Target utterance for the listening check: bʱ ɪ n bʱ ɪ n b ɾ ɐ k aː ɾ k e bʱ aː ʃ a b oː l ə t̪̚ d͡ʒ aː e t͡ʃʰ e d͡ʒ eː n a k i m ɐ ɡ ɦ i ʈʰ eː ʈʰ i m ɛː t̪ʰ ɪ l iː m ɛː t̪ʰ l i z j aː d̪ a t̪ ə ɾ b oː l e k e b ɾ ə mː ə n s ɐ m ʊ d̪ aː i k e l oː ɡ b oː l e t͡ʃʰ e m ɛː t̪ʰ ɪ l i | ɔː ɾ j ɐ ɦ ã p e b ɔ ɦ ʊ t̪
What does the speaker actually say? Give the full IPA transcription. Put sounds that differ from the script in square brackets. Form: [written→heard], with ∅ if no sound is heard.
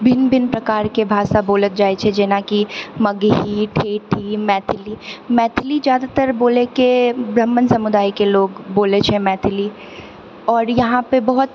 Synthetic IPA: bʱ ɪ n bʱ ɪ n [b→p] ɾ ɐ k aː ɾ k e bʱ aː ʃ a b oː l ə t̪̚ d͡ʒ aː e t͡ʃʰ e d͡ʒ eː n a k i m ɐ ɡ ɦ i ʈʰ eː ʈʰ i m ɛː t̪ʰ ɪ l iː m ɛː t̪ʰ l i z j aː d̪ a t̪ ə ɾ b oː l e k e b ɾ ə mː ə n s ɐ m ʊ d̪ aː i k e l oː ɡ b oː l e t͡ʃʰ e m ɛː t̪ʰ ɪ l i | ɔː ɾ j ɐ ɦ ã p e b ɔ ɦ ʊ t̪